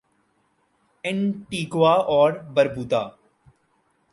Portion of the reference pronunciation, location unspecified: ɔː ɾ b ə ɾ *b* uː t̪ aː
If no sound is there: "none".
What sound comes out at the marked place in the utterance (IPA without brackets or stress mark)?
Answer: b